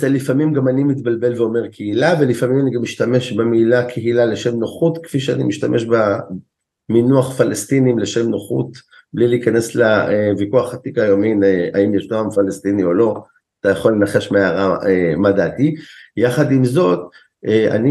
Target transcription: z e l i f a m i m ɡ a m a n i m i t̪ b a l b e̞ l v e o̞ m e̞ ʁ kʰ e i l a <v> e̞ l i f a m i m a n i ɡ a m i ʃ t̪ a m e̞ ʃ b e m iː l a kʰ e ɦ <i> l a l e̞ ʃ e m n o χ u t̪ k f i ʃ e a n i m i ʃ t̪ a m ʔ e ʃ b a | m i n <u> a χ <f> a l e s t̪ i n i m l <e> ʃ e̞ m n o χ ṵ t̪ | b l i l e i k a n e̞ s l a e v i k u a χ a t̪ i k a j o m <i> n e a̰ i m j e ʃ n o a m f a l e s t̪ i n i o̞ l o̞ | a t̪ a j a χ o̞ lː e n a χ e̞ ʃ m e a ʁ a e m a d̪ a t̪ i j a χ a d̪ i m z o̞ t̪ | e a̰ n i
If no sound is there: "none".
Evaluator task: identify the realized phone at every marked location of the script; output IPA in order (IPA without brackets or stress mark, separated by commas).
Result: v, i, u, f, e, i